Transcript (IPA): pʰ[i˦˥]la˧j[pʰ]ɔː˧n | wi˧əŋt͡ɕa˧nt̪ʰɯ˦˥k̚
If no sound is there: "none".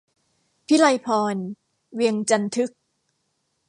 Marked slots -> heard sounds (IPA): i˦˥, pʰ

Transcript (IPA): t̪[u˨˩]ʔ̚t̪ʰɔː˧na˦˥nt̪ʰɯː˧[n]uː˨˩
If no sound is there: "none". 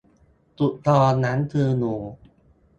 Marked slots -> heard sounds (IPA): u˨˩, n

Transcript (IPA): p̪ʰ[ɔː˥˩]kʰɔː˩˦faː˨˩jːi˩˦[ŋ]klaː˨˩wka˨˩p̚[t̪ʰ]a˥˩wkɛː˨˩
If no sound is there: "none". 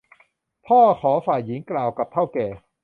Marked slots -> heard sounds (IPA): ɔː˥˩, ŋ, t̪ʰ

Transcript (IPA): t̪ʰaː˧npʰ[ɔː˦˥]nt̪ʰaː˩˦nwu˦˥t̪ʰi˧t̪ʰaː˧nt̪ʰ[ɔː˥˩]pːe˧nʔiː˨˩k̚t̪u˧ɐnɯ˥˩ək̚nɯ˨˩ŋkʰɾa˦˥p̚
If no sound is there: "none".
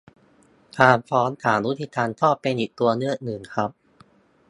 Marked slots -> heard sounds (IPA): ɔː˦˥, ɔː˥˩

